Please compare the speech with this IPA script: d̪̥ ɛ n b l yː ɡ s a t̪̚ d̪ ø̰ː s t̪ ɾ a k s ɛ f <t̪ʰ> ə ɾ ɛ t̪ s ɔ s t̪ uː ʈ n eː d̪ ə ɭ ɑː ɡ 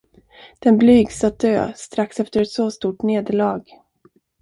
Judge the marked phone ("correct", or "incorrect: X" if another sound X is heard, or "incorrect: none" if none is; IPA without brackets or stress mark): incorrect: t̪